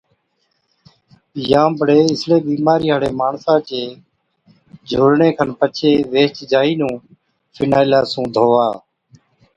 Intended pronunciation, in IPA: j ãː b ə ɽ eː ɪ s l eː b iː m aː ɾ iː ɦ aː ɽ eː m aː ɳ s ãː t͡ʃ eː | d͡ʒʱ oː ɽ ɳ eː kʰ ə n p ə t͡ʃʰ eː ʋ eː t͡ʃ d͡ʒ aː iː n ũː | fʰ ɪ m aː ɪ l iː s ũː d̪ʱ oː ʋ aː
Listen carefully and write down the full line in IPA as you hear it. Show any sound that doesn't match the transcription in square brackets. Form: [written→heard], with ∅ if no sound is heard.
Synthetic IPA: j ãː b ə ɽ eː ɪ s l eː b iː m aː ɾ iː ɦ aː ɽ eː m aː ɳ s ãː t͡ʃ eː | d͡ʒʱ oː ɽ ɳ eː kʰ ə n p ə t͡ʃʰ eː ʋ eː t͡ʃ d͡ʒ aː iː n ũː | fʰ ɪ [m→n] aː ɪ l [iː→aː] s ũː d̪ʱ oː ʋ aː

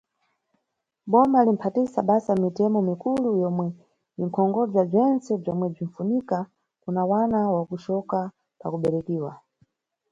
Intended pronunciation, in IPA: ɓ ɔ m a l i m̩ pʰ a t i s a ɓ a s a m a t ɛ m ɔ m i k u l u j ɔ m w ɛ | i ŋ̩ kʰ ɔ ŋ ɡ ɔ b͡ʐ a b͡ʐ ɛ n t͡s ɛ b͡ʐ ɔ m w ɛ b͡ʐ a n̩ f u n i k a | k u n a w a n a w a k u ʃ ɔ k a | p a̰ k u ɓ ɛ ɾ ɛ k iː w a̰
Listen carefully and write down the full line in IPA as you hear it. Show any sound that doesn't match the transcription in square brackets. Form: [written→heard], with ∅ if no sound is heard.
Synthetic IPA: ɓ ɔ m a l i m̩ pʰ a t i s a ɓ a s a m [a→i] t ɛ m ɔ m i k u l u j ɔ m w ɛ | i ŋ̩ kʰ ɔ ŋ ɡ ɔ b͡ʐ a b͡ʐ ɛ n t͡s ɛ b͡ʐ ɔ m w ɛ b͡ʐ [a→i] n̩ f u n i k a | k u n a w a n a w a k u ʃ ɔ k a | p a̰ k u ɓ ɛ ɾ ɛ k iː w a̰

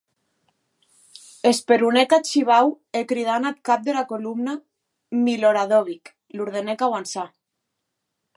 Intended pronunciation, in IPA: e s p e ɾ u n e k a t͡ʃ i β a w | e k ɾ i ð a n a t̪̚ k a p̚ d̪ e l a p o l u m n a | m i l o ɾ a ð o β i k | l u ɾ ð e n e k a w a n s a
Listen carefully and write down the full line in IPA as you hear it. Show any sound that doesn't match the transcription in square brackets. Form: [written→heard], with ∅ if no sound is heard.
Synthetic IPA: e s p e ɾ u n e k a t͡ʃ i β a w | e k ɾ i ð a n a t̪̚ k a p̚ d̪ e l a [p→k] o l u m n a | m i l o ɾ a ð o β i k | l u ɾ ð e n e k a w a n s a

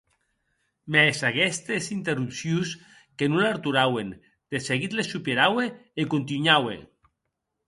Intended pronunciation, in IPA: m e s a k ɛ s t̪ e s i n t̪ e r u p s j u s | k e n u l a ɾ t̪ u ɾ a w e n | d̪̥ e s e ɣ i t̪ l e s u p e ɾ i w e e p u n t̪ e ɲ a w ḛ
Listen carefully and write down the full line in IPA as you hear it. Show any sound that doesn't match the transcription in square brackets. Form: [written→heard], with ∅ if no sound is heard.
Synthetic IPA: m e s a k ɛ s t̪ e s i n t̪ e r u p s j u s | k e n u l a ɾ t̪ u ɾ a w e n | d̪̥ e s e ɣ i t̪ l e s u p e ɾ [i→a] w e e [p→k] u n t̪ [e→i] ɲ a w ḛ

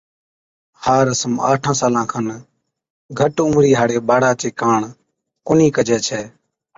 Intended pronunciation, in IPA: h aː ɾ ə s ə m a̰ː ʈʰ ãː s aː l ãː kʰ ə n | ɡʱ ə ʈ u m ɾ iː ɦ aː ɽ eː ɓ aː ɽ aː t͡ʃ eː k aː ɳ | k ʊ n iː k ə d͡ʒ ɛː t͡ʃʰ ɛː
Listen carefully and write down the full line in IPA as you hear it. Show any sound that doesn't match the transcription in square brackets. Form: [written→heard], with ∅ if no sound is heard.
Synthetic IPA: h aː ɾ ə s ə m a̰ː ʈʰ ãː s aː l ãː kʰ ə n | ɡʱ ə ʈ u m ɾ iː ɦ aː ɽ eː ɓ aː ɽ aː t͡ʃ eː k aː ɳ | k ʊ n iː k ə d͡ʒ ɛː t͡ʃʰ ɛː

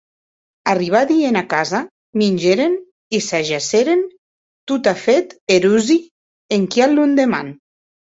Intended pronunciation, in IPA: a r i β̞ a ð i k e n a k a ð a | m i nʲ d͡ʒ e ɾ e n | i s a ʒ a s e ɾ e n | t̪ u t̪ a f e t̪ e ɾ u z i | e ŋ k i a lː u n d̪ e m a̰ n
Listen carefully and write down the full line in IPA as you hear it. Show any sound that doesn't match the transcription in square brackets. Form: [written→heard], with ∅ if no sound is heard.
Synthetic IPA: a r i β̞ a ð i [k→∅] e n a k a [ð→z] a | m i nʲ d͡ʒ e ɾ e n | i s a ʒ a s e ɾ e n | t̪ u t̪ a f e t̪ e ɾ u z i | e ŋ k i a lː u n d̪ e m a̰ n

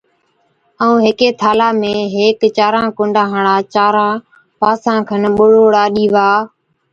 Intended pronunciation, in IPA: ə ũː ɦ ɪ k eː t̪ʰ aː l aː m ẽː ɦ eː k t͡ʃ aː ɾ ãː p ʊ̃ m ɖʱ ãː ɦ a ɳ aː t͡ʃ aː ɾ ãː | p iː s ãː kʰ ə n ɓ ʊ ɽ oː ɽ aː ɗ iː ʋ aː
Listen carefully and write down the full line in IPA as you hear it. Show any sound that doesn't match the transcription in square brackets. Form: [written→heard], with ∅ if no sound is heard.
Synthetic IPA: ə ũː ɦ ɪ k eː t̪ʰ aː l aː m ẽː ɦ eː k t͡ʃ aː ɾ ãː [p→k] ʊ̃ [m→ɳ] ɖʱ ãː ɦ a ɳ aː t͡ʃ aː ɾ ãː | p [iː→aː] s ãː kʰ ə n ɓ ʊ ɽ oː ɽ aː ɗ iː ʋ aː

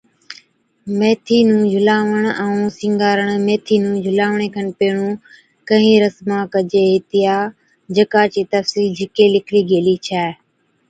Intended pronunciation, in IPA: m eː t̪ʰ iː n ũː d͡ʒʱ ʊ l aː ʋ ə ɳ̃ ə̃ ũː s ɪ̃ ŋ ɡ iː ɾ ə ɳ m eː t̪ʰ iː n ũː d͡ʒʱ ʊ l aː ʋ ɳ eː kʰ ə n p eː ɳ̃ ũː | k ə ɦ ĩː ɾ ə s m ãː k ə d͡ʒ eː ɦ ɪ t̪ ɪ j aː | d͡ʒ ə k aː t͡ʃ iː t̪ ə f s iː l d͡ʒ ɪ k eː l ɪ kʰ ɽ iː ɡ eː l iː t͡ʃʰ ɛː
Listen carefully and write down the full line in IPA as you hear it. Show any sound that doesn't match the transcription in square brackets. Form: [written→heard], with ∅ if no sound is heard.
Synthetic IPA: m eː t̪ʰ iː n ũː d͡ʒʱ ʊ l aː ʋ ə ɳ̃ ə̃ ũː s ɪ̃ ŋ ɡ [iː→aː] ɾ ə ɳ m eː t̪ʰ iː n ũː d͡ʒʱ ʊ l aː ʋ ɳ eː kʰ ə n p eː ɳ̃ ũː | k ə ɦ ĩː ɾ ə s m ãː k ə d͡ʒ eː ɦ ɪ t̪ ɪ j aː | d͡ʒ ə k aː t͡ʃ iː t̪ ə f s iː l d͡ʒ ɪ k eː l ɪ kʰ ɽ iː ɡ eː l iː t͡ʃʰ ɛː

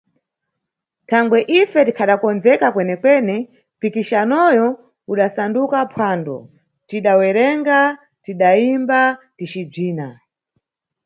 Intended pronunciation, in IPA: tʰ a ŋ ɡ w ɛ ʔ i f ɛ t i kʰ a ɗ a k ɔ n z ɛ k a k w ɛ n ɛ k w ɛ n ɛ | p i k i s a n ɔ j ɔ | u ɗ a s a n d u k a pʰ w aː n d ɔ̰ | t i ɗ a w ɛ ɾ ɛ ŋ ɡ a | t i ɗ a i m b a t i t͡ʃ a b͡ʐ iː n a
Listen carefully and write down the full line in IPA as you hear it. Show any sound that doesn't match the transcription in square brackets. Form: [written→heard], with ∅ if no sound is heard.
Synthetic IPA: tʰ a ŋ ɡ w ɛ ʔ i f ɛ t i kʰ a ɗ a k ɔ n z ɛ k a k w ɛ n ɛ k w ɛ n ɛ | p i k i [s→ʃ] a n ɔ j ɔ | u ɗ a s a n d u k a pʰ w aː n d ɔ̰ | t i ɗ a w ɛ ɾ ɛ ŋ ɡ a | t i ɗ a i m b a t i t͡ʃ [a→i] b͡ʐ iː n a

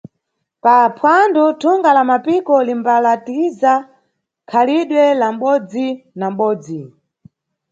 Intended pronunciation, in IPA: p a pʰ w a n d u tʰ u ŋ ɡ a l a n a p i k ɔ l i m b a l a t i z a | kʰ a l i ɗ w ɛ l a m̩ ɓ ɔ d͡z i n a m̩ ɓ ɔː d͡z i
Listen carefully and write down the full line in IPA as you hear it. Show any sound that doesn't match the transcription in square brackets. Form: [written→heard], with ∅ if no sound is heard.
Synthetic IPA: p a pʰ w a n d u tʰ u ŋ ɡ a l a [n→m] a p i k ɔ l i m b a l a t i z a | kʰ a l i ɗ w ɛ l a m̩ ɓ ɔ d͡z i n a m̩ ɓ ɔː d͡z i

